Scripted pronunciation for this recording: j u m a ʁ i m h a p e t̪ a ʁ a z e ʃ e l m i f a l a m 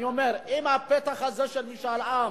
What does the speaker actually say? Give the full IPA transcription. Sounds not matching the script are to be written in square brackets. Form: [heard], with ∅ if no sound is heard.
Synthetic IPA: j [o] m [e] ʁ i m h a p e t̪ a [χ] a z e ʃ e l m i [ʃ] a l a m